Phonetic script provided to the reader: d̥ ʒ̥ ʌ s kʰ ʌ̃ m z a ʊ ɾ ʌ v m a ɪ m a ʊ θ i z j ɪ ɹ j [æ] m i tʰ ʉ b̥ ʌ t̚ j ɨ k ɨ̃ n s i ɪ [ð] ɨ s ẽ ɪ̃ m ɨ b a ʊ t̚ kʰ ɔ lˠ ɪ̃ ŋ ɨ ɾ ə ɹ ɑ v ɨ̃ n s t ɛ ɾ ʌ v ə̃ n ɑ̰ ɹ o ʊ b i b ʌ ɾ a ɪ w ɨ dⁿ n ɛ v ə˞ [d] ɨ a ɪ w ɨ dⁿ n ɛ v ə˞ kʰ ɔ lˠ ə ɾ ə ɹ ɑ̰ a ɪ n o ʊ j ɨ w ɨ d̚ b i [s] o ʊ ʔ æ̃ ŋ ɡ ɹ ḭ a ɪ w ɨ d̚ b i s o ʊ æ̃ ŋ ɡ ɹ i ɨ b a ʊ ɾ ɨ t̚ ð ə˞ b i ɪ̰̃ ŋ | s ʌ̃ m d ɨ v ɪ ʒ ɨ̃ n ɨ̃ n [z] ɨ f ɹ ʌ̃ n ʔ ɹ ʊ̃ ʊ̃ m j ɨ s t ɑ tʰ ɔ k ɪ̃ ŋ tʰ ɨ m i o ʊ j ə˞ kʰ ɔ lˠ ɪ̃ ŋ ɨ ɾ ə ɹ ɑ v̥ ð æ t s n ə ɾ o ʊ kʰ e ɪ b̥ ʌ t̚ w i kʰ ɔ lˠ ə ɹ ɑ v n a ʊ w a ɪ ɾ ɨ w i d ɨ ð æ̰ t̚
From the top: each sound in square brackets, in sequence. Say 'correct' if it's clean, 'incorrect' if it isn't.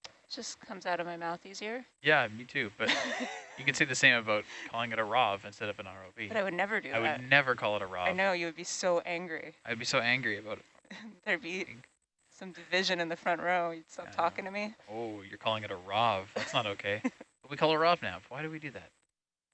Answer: correct, correct, correct, correct, incorrect: ð

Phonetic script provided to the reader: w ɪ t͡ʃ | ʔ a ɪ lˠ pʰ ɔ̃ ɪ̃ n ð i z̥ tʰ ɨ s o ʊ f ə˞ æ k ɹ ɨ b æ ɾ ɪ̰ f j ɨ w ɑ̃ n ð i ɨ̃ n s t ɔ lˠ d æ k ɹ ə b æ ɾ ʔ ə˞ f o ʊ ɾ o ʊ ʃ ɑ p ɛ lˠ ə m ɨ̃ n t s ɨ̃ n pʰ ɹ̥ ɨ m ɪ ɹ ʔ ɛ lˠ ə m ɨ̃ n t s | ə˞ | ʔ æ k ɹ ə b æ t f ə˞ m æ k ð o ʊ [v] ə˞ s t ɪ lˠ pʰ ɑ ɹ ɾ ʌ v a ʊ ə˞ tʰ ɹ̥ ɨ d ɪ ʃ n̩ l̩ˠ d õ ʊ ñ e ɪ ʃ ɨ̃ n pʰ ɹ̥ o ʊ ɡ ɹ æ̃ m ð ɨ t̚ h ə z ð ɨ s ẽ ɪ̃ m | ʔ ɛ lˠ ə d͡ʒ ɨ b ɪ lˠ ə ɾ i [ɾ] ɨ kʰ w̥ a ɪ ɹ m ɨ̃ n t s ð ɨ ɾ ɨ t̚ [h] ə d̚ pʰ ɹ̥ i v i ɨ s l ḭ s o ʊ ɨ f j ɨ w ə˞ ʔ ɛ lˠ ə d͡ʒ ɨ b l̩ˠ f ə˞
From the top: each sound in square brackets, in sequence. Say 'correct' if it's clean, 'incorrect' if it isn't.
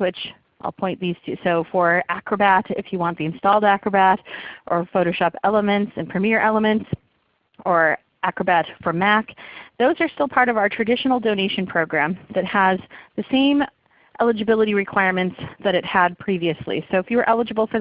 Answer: incorrect: z, incorrect: ɹ, correct

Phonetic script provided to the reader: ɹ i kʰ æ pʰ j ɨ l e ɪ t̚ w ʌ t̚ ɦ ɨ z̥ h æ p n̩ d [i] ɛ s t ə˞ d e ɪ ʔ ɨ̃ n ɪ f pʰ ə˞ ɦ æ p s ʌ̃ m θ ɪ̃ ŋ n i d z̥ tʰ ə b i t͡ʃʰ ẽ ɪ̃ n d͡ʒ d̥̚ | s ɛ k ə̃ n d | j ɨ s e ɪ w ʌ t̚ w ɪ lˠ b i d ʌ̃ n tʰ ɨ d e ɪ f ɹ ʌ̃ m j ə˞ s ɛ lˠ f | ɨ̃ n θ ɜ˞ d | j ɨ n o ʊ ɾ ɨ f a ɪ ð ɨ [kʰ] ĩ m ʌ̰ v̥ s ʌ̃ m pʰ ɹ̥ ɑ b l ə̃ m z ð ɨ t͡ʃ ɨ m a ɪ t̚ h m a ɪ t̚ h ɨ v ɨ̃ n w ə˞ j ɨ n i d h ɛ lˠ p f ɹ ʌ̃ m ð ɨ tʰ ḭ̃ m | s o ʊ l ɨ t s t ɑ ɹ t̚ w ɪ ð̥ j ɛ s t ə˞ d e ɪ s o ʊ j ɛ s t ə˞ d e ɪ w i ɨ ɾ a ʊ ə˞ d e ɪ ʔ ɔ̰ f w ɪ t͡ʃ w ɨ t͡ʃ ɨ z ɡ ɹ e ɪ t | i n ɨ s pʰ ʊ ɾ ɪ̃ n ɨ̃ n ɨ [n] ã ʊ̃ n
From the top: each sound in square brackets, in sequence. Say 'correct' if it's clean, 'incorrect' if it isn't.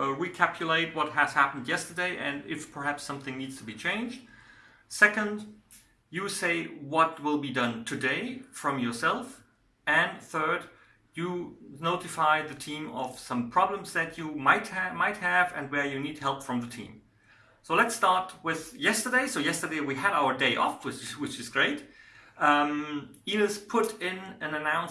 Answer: incorrect: j, incorrect: tʰ, correct

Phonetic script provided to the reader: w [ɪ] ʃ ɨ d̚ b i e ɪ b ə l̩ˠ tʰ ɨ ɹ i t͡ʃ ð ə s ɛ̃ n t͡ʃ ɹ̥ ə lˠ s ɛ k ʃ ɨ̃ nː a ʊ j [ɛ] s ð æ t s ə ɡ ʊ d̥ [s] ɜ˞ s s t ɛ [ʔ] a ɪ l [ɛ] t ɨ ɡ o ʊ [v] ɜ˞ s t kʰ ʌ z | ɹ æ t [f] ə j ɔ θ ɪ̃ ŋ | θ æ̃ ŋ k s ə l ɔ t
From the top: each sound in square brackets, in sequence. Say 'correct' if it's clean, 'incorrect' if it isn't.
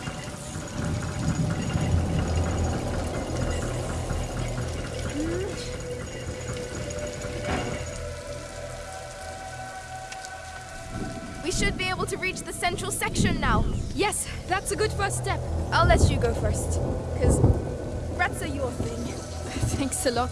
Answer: incorrect: i, correct, incorrect: f, incorrect: p, correct, incorrect: f, incorrect: s

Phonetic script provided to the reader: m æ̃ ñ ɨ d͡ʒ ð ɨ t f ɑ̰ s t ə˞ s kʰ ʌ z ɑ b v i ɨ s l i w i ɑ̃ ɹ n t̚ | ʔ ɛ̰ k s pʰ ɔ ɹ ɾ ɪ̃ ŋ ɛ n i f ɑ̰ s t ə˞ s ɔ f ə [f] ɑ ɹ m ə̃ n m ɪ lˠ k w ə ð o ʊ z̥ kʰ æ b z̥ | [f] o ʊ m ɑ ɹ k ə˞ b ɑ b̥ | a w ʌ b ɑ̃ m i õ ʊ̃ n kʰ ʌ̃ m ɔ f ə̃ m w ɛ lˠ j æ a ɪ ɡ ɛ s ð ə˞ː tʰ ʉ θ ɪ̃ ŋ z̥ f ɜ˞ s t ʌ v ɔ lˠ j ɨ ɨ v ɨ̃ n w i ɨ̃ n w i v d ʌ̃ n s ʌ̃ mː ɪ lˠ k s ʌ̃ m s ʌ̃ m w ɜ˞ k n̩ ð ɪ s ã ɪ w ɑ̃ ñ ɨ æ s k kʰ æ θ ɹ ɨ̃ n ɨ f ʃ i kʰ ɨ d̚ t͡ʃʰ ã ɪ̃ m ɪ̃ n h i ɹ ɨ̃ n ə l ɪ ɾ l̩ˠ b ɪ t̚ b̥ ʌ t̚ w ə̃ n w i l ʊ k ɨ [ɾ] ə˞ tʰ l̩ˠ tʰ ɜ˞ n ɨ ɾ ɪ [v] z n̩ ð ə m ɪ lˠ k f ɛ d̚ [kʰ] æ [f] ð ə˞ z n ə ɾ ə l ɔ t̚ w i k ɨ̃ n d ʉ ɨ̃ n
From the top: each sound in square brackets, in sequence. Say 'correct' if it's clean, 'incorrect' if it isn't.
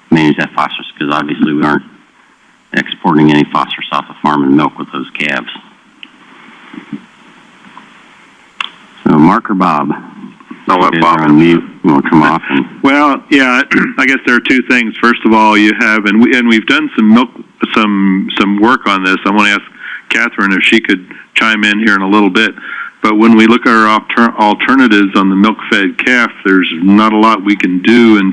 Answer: correct, incorrect: s, correct, correct, correct, correct

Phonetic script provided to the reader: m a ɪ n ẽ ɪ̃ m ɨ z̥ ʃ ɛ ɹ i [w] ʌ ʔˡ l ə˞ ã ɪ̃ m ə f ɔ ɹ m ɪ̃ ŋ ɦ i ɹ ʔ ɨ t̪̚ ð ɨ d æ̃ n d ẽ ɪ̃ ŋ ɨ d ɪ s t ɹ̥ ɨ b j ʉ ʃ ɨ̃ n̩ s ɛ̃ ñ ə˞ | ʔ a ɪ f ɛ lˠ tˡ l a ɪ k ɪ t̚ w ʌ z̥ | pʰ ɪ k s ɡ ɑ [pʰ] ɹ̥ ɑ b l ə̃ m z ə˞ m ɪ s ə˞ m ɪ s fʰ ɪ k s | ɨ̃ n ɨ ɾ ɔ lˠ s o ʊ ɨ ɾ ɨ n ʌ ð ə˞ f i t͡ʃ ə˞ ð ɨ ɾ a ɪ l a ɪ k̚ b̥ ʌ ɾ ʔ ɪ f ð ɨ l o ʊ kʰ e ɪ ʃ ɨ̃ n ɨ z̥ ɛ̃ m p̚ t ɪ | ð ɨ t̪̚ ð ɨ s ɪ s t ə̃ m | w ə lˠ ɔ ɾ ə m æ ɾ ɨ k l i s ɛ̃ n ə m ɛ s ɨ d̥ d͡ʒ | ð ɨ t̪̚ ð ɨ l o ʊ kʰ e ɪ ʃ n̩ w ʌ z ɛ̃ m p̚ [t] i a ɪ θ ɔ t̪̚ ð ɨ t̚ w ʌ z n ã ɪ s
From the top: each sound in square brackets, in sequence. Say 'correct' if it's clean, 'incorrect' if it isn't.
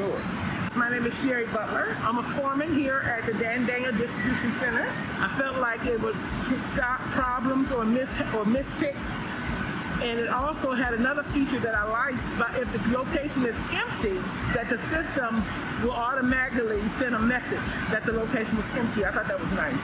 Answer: incorrect: b, correct, correct

